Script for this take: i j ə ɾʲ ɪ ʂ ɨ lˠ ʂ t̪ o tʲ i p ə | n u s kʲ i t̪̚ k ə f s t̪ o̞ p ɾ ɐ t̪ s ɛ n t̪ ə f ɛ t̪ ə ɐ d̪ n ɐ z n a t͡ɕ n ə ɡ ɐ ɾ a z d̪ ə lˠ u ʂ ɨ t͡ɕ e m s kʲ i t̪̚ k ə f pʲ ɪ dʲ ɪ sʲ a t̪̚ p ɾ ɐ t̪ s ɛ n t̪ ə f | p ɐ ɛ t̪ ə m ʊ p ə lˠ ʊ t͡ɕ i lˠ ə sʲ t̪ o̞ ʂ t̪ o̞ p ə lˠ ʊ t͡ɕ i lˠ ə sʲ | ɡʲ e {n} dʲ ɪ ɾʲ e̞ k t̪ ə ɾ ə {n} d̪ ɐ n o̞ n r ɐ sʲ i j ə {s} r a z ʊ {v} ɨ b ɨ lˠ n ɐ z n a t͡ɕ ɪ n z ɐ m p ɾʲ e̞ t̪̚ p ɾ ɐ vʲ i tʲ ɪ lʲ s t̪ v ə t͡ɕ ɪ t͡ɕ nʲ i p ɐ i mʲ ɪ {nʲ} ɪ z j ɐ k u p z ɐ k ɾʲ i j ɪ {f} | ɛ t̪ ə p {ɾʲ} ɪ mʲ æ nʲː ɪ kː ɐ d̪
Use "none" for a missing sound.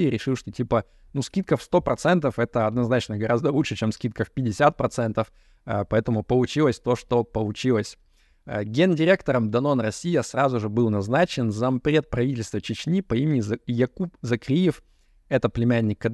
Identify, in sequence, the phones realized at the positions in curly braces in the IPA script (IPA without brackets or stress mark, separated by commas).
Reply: n, m, s, ʐ, nʲ, f, lʲ